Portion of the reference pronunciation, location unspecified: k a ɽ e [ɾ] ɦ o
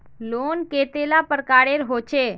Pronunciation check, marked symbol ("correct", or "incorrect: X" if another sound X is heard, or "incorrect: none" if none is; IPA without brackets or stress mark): correct